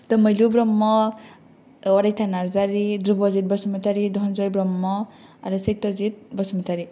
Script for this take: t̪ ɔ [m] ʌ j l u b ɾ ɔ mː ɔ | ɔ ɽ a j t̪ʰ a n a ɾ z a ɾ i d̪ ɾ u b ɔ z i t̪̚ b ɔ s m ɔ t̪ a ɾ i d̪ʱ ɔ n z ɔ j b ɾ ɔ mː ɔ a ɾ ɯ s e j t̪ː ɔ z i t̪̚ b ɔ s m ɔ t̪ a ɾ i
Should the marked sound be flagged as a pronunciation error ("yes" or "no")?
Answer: no